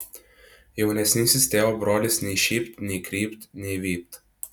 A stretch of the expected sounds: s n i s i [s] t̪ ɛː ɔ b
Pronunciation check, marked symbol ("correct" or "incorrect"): correct